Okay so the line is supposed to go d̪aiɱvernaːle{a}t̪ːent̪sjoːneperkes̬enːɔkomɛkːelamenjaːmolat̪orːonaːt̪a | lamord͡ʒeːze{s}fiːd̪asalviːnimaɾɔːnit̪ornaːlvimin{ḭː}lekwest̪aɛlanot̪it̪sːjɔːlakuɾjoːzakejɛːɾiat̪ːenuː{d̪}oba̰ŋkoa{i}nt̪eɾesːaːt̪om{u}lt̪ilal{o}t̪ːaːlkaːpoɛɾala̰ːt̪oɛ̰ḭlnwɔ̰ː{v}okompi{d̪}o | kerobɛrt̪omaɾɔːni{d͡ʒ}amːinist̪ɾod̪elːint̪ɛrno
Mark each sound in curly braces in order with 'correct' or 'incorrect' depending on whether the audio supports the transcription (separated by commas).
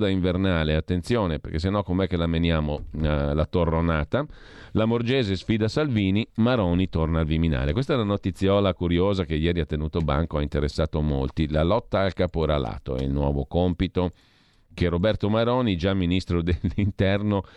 correct, correct, incorrect, incorrect, correct, incorrect, incorrect, correct, incorrect, correct